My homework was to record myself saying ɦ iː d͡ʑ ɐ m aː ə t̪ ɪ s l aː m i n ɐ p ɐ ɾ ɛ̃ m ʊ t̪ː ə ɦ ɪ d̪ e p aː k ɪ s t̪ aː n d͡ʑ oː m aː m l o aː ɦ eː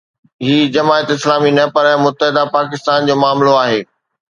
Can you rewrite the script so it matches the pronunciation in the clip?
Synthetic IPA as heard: ɦ iː d͡ʑ ɐ m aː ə t̪ ɪ s l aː m i n ɐ p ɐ ɾ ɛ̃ m ʊ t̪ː ə ɦ ɪ d̪ a p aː k ɪ s t̪ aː n d͡ʑ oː m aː m l o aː ɦ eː